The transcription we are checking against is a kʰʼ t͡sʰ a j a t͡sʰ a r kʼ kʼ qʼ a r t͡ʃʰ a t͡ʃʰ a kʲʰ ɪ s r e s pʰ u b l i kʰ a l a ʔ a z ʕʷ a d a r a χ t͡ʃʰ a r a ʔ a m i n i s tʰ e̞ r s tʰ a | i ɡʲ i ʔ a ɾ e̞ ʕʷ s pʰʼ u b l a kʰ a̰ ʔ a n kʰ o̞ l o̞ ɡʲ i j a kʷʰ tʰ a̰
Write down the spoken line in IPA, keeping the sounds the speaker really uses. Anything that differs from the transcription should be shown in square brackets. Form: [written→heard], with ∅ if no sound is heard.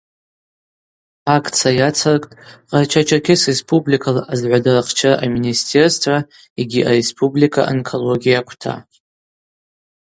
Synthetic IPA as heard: a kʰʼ t͡sʰ a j a t͡sʰ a r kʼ [kʼ→tʼ] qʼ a r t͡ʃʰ a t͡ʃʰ a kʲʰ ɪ s r e s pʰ u b l i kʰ a l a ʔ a z ʕʷ a d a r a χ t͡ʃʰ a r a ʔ a m i n i s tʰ e̞ r s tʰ a | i ɡʲ i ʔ a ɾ e̞ [ʕʷ→∅] s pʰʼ u b l [a→i] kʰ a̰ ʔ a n kʰ o̞ l o̞ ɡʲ i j a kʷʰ tʰ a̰